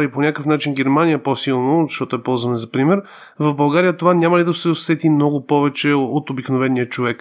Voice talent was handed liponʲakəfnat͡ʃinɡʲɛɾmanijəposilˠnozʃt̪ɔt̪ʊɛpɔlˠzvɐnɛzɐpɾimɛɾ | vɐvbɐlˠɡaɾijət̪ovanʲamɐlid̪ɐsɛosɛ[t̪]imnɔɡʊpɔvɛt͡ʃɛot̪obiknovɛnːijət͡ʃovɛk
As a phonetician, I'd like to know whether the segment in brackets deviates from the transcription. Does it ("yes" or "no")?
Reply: no